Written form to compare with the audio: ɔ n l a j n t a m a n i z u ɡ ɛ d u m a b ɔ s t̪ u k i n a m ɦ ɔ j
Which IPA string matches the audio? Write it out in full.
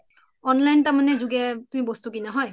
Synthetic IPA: ɔ n l a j n t a m a n ɛ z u ɡ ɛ t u m i b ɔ s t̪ u k i n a ɦ ɔ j